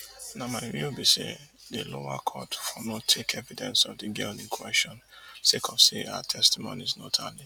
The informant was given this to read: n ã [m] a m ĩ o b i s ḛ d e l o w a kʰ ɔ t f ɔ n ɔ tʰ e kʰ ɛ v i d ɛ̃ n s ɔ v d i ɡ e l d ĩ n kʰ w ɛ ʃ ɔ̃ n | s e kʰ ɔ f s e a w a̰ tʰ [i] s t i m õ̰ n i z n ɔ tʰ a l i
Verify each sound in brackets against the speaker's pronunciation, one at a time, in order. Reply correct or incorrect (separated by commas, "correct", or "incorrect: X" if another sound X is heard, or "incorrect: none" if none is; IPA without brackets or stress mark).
correct, incorrect: ɛ